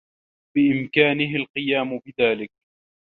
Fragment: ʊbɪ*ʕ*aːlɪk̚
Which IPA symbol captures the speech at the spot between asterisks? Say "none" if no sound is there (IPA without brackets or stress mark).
ð